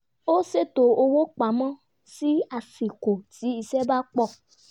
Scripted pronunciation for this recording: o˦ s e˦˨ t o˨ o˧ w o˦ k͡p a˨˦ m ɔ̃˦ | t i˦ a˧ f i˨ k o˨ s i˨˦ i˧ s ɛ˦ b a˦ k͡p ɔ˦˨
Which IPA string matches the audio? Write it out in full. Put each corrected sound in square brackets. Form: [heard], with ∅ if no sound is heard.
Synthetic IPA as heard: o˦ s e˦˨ t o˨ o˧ w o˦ k͡p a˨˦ m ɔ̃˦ | [s] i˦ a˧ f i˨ k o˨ [t] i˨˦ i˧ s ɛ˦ b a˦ k͡p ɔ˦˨